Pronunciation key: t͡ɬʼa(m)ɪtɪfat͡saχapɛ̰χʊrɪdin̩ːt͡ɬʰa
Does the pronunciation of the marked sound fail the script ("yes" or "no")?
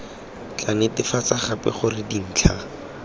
yes